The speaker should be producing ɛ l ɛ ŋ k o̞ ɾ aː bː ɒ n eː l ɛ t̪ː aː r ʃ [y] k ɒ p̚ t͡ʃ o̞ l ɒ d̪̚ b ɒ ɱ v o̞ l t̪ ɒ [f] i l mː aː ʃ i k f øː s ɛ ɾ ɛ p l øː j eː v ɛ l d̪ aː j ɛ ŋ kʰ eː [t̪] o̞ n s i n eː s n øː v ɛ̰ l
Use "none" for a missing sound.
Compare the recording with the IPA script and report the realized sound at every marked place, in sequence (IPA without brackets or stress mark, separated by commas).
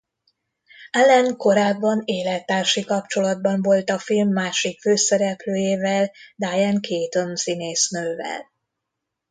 i, f, t̪